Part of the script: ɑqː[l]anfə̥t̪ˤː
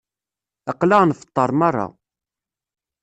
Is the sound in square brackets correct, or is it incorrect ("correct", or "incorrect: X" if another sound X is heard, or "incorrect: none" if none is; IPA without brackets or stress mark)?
correct